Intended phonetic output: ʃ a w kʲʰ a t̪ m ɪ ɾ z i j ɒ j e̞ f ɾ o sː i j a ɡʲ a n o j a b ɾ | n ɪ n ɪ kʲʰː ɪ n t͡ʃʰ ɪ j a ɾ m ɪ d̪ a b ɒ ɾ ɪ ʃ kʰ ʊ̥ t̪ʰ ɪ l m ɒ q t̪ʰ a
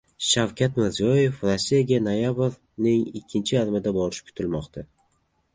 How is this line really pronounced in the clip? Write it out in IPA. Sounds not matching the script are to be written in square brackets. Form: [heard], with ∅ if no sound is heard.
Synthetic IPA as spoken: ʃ a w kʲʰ a t̪ m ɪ ɾ z i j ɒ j e̞ f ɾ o sː i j a ɡʲ a n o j a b ɾ | n ɪ [ŋ] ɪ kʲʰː ɪ n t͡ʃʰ ɪ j a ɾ m ɪ d̪ a b ɒ ɾ ɪ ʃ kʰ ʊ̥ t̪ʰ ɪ l m ɒ q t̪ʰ a